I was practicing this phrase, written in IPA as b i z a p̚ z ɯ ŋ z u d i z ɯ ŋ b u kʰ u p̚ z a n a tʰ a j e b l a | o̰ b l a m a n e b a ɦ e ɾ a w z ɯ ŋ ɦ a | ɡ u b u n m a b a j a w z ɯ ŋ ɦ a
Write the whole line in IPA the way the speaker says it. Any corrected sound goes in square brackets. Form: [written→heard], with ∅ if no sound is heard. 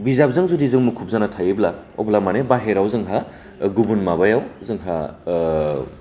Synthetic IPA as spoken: b i z a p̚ z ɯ ŋ z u d i z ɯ ŋ [b→m] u kʰ u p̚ z a n a tʰ a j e b l a | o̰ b l a m a n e b a ɦ e ɾ a w z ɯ ŋ ɦ a | ɡ u b u n m a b a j a w z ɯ ŋ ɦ a